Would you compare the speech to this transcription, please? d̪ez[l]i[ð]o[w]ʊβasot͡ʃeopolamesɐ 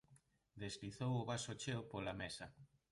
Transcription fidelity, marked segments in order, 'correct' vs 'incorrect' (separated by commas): correct, incorrect, correct